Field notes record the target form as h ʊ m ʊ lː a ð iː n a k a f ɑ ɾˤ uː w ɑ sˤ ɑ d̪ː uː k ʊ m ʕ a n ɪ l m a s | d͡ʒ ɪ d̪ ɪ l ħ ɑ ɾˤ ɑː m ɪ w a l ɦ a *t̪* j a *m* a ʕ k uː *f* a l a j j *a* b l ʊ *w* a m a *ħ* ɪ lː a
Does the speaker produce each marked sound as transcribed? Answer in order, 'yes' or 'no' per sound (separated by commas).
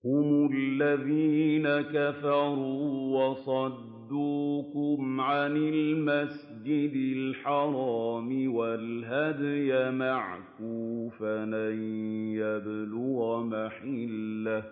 no, yes, yes, yes, no, yes